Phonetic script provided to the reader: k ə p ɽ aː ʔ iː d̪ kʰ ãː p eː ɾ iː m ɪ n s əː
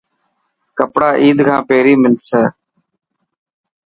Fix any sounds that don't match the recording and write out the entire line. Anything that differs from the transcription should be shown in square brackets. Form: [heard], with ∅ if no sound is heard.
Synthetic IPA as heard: k ə p ɽ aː ʔ iː d̪ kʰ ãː p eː ɾ iː m ɪ n s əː